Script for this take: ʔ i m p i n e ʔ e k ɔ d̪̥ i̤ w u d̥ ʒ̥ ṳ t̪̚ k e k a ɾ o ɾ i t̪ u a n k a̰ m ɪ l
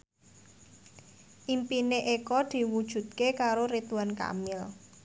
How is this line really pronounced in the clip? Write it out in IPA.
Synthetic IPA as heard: ʔ i m p i n e ʔ e k ɔ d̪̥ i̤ w u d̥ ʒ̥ ṳ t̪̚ k e k a ɾ o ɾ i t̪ u a n k a̰ m ɪ l

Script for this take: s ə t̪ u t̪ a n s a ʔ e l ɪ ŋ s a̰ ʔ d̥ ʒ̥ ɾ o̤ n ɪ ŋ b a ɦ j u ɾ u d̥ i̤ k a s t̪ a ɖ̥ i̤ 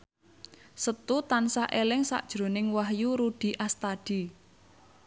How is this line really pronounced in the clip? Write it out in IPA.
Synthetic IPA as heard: s ə t̪ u t̪ a n s a ʔ e l ɪ ŋ s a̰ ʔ d̥ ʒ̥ ɾ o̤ n ɪ ŋ w a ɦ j u ɾ u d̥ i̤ ʔ a s t̪ a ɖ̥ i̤

